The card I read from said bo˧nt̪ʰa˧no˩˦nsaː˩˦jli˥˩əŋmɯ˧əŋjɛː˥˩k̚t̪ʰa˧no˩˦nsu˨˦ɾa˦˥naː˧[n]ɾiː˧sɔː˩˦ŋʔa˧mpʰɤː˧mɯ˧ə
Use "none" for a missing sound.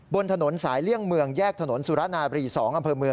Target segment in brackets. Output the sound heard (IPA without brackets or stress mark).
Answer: none